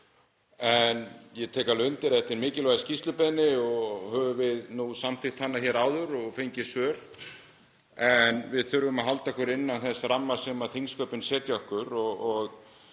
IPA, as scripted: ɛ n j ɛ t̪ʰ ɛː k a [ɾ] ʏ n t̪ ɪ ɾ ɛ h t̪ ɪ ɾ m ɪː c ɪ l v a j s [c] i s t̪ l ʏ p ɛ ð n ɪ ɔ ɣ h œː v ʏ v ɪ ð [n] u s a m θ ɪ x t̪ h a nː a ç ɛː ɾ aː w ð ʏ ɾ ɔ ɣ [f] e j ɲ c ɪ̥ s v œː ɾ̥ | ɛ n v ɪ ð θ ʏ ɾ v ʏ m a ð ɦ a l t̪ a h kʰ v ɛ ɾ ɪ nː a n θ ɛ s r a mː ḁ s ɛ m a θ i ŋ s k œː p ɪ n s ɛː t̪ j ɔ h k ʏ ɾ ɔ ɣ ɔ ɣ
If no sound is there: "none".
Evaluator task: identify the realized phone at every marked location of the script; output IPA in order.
l, c, n, f

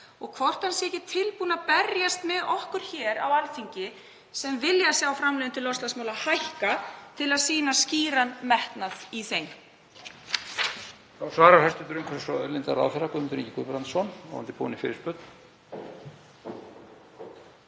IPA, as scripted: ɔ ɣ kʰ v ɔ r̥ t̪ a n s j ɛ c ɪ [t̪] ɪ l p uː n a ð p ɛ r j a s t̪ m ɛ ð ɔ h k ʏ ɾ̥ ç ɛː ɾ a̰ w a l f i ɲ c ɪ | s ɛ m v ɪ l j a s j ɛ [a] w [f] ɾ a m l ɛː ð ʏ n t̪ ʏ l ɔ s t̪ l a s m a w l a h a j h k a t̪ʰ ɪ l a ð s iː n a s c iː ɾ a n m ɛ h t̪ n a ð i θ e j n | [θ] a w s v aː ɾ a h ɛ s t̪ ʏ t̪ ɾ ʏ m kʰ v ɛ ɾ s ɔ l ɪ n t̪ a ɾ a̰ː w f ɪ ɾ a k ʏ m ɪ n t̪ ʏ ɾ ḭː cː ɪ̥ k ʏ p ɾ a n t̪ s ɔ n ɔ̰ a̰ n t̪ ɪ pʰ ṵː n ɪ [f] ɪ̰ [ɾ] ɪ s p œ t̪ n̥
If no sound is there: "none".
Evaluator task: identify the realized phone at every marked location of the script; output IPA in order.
t̪ʰ, a, f, θ, f, ɾ

